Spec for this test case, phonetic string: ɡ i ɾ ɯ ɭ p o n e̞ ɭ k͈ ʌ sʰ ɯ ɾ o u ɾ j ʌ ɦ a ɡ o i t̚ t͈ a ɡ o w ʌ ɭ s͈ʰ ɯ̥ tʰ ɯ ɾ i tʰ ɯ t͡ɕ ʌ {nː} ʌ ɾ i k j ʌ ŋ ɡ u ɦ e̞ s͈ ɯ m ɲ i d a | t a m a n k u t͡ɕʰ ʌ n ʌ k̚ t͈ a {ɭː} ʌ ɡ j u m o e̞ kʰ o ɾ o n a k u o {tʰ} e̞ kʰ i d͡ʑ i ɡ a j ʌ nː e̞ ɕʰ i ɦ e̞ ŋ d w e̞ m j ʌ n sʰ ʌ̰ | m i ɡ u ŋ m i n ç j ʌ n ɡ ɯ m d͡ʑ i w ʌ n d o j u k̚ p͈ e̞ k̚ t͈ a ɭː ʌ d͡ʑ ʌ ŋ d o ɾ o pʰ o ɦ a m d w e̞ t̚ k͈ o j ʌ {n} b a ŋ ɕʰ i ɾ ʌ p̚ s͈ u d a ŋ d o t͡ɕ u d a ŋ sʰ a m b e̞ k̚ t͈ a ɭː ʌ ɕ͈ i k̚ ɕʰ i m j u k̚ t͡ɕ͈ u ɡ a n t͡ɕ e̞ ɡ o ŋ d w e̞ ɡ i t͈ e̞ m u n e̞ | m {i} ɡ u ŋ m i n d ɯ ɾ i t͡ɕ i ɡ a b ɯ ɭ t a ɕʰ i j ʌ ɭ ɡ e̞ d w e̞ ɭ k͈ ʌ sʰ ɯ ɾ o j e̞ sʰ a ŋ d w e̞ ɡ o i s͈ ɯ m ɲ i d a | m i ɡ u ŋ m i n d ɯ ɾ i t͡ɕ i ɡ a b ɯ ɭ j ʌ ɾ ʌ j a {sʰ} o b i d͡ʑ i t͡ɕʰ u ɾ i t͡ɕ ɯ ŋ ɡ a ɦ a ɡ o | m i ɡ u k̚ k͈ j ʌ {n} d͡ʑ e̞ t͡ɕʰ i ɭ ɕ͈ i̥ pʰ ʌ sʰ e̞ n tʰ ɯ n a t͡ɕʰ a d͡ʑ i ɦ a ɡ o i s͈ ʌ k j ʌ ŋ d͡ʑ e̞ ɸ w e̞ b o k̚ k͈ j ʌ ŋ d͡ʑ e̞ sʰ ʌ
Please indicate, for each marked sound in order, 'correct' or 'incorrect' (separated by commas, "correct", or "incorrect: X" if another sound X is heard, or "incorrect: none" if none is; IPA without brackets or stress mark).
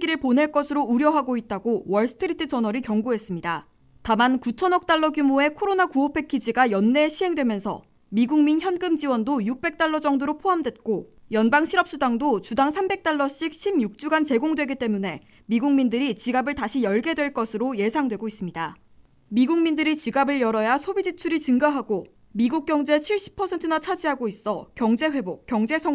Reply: incorrect: n, correct, incorrect: pʰ, correct, correct, correct, incorrect: ŋ